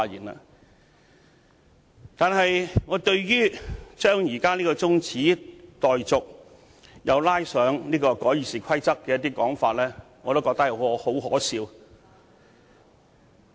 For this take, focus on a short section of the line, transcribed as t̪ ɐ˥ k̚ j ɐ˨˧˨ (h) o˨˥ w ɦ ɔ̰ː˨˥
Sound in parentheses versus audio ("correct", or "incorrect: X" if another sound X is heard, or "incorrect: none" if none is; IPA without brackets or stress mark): correct